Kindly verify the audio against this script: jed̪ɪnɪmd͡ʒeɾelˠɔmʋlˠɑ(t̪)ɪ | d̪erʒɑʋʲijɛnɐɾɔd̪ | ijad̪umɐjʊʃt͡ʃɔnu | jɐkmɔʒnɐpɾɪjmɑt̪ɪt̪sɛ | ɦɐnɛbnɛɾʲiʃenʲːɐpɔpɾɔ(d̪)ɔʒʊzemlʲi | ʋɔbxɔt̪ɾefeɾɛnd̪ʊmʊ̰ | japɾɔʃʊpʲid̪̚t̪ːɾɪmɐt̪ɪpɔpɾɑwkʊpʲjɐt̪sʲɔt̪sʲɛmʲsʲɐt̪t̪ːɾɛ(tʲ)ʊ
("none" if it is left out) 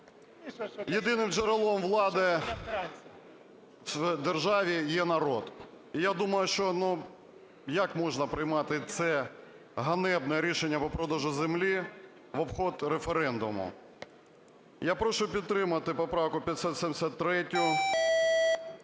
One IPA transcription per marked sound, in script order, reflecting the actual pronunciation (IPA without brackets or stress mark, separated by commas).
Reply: d̪, d̪, tʲ